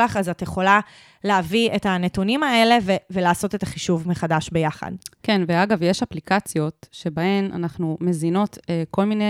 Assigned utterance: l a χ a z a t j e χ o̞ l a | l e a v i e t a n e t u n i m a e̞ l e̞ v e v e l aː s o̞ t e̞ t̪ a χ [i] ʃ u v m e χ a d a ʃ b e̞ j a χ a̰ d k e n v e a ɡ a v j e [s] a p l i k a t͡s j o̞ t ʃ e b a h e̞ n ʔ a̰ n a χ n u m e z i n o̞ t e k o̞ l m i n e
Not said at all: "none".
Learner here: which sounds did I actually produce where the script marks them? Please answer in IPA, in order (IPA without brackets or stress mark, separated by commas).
i, ʃ